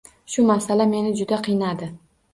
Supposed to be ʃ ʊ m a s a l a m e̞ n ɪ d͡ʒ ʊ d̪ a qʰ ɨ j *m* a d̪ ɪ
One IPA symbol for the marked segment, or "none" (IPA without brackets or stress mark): n